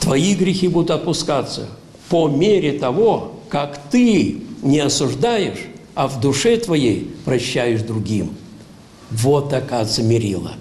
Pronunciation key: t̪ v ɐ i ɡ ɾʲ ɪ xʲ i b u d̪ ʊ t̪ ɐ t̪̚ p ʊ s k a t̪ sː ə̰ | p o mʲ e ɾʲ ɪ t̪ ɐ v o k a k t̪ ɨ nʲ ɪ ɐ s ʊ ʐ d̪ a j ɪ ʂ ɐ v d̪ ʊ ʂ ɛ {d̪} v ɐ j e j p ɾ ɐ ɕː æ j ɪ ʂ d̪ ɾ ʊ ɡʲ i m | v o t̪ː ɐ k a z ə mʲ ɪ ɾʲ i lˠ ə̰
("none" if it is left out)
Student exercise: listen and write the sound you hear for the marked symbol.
t̪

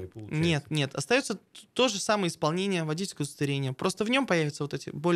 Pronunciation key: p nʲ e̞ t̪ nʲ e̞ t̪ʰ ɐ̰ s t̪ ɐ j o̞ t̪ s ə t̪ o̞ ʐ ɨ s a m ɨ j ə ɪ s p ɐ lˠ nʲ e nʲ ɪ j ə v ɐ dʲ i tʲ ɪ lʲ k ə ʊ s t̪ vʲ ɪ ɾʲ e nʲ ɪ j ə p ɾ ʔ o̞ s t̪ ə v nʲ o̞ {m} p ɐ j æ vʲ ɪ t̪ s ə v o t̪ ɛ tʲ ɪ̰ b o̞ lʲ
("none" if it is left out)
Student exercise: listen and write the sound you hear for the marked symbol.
m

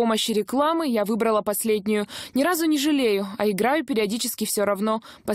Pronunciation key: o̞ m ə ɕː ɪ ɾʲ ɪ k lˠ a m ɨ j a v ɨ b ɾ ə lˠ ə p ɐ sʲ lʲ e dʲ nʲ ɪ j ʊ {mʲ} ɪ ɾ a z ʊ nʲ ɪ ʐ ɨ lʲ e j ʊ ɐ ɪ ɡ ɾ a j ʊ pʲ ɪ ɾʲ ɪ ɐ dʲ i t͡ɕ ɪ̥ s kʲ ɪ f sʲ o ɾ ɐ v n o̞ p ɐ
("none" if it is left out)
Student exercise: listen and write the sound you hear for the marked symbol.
nʲ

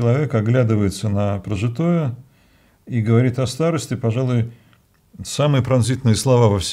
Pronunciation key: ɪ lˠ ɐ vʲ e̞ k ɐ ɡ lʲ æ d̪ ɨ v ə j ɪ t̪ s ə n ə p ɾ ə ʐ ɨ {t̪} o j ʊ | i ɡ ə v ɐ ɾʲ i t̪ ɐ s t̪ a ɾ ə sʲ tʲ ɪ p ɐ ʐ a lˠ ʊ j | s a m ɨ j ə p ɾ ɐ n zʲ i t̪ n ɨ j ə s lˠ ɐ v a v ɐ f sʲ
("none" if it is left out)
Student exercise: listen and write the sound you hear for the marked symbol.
t̪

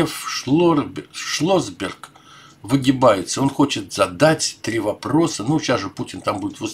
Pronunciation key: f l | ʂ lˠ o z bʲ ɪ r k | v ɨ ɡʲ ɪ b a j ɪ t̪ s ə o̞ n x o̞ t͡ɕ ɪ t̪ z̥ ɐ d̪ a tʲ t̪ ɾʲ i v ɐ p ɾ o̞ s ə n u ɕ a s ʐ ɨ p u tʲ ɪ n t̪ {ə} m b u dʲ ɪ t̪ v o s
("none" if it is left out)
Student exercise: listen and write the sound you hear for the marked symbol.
a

